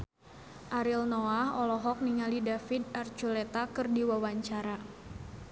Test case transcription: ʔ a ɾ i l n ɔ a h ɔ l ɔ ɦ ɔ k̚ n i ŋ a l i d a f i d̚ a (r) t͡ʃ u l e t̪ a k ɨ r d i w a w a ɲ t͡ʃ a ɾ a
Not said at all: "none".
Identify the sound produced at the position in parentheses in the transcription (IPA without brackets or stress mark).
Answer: r